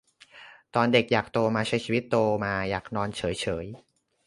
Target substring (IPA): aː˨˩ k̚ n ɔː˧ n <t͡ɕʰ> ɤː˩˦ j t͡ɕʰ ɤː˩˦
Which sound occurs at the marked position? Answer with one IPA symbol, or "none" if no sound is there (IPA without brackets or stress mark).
t͡ɕʰ